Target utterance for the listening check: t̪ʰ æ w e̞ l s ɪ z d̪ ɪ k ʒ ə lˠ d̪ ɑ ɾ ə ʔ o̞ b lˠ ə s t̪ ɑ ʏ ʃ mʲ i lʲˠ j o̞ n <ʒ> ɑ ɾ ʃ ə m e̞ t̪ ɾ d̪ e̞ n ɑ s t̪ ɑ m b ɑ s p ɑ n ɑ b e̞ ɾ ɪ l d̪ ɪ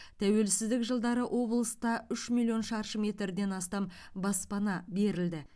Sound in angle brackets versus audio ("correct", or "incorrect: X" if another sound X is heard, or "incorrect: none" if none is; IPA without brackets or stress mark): incorrect: ʃ